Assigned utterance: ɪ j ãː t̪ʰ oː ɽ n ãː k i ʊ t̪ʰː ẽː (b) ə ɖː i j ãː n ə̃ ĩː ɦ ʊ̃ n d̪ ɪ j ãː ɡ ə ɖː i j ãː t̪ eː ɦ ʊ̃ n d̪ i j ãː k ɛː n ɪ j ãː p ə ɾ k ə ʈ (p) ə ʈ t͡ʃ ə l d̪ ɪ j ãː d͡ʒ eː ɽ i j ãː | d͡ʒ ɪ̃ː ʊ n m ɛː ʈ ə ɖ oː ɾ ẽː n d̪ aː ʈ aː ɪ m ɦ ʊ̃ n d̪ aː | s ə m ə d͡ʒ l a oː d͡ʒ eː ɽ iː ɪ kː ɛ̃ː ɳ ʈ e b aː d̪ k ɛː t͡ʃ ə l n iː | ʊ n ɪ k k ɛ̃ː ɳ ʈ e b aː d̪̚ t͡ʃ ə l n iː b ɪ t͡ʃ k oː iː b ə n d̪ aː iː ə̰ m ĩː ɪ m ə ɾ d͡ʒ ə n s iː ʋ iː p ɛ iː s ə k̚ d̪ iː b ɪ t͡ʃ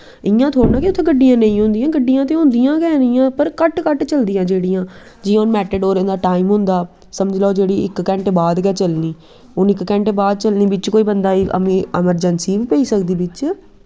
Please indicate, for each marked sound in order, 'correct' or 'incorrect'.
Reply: incorrect: ɡ, incorrect: k

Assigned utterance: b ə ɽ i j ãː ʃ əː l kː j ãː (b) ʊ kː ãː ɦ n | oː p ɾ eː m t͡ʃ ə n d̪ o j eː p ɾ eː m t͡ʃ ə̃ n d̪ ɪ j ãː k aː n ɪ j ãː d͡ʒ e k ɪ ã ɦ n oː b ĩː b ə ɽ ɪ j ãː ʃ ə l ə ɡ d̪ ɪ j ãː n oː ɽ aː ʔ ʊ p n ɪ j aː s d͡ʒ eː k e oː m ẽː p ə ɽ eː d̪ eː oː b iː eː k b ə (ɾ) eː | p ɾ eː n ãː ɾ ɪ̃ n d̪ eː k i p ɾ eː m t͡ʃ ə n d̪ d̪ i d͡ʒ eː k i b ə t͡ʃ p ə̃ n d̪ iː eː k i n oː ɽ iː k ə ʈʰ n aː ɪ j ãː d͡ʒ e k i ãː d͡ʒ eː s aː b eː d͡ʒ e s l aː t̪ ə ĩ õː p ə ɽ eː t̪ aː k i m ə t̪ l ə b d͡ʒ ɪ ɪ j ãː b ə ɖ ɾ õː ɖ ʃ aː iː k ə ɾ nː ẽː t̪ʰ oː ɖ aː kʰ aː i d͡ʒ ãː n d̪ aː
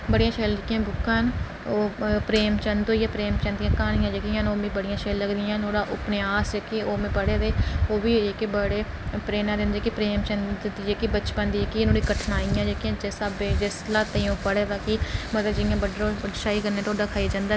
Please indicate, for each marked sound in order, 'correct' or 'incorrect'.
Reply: correct, incorrect: ɽ

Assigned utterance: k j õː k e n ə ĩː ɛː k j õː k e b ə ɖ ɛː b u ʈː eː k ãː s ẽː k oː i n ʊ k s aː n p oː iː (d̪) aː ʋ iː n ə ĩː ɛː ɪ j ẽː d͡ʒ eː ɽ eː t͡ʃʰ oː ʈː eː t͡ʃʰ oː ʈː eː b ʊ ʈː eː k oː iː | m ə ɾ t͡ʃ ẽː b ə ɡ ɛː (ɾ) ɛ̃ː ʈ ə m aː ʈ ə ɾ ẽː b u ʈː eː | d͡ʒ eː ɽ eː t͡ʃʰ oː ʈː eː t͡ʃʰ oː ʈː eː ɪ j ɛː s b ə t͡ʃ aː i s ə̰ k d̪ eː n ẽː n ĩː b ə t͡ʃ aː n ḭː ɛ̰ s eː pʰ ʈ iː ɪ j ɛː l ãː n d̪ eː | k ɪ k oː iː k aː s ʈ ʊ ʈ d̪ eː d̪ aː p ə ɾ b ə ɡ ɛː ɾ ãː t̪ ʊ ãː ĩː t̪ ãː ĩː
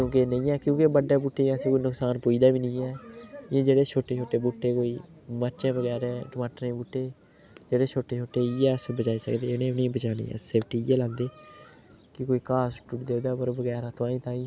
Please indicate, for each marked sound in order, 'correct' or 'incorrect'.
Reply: correct, correct

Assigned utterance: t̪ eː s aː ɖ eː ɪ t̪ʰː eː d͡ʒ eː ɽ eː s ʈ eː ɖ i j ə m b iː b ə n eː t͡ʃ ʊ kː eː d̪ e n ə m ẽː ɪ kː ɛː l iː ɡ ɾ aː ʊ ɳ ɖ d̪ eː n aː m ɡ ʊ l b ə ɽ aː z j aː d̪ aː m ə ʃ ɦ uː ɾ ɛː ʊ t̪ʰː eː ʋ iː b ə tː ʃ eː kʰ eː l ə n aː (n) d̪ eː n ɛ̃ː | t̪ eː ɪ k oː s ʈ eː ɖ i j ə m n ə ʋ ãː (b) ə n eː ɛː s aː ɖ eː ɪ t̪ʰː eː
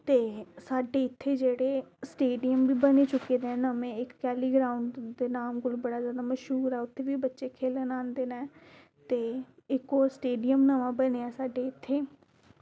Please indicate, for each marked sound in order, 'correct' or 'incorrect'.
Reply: correct, correct

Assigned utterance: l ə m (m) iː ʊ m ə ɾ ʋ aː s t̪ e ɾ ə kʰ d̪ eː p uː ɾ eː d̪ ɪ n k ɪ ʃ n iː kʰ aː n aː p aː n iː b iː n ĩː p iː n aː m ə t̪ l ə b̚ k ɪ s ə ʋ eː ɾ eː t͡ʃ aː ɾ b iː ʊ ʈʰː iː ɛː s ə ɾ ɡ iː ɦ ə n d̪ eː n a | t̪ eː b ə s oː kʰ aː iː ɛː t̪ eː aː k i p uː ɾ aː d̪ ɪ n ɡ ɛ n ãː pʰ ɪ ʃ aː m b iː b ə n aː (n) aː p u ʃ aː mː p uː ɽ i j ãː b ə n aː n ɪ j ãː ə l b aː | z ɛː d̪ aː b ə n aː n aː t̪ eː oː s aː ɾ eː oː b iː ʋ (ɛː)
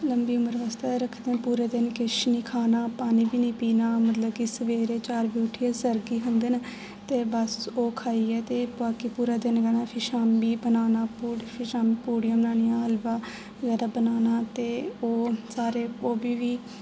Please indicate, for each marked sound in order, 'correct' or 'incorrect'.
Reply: incorrect: b, correct, incorrect: iː

